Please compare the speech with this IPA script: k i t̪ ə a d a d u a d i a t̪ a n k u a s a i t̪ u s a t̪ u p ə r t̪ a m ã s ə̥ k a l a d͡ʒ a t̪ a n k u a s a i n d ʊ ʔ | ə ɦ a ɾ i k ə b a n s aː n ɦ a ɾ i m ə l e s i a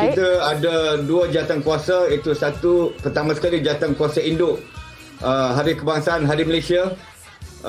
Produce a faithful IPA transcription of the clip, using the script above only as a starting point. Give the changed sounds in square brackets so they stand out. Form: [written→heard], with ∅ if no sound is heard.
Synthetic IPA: k i t̪ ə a d a d u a [d→d͡ʒ] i a t̪ a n k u a s a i t̪ u s a t̪ u p ə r t̪ a m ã s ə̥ k a l [a→i] d͡ʒ a t̪ a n k u a s a i n d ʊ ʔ | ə ɦ a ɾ i k ə b a [n→ŋ] s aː n ɦ a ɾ i m ə l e s i a